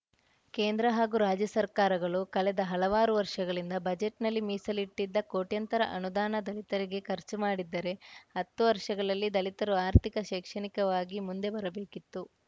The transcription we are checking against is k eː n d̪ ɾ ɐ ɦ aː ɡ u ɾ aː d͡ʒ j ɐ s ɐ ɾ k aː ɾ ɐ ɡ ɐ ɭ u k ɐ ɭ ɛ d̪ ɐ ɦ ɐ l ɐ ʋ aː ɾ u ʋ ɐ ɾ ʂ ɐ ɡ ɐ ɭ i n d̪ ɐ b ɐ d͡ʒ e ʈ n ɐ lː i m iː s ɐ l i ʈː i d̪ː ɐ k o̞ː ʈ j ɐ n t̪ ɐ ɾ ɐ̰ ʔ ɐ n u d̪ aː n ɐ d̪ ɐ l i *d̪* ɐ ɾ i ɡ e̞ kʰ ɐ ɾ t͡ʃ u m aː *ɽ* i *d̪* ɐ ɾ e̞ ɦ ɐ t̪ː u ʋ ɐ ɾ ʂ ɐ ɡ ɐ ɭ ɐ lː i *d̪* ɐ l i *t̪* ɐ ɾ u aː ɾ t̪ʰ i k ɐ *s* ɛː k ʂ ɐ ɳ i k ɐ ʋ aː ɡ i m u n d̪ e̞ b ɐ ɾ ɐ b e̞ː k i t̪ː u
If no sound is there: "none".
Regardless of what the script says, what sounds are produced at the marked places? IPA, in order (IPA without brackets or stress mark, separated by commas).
t̪, ɽ, d̪ː, d̪, t̪, ʃ